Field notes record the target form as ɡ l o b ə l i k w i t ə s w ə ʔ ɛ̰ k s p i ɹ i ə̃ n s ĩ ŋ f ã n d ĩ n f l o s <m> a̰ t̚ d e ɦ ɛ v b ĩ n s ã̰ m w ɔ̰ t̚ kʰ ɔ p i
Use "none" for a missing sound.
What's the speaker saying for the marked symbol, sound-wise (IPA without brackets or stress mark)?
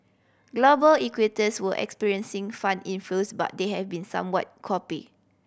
b